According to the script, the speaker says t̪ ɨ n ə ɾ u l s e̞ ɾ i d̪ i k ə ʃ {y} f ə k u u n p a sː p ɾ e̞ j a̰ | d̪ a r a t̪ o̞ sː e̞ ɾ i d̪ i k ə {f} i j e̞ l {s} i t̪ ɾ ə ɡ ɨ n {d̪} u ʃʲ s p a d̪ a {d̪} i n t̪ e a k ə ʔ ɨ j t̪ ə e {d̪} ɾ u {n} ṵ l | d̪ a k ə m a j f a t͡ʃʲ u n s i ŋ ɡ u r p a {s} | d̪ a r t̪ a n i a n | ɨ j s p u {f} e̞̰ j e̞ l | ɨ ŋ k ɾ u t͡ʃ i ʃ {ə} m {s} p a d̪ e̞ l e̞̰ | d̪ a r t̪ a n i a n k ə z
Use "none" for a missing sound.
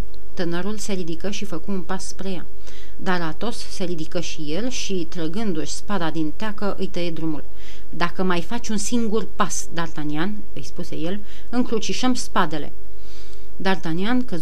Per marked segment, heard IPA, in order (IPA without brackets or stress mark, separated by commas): i, ʃ, ʃ, d̪, d̪, d̪, m, s, s, ə, s